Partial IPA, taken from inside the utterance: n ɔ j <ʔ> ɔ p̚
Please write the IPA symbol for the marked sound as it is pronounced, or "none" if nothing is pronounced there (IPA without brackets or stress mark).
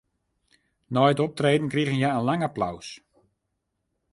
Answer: t